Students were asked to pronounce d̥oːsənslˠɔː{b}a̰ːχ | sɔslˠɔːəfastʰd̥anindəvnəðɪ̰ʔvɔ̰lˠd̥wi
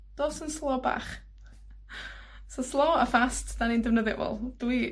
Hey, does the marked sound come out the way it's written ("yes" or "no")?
yes